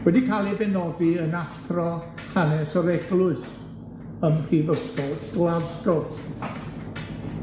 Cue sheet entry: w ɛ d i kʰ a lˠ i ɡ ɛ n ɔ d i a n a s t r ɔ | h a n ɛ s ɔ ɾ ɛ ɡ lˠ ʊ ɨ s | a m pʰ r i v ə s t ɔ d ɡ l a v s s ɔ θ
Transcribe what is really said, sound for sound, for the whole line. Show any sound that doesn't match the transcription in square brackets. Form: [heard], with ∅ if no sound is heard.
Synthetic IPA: w ɛ d i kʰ a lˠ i [b] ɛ n ɔ d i [ə] n a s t r ɔ | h a n ɛ s ɔ ɾ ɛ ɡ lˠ ʊ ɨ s | [ə] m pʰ r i v ə s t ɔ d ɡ l a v s [t] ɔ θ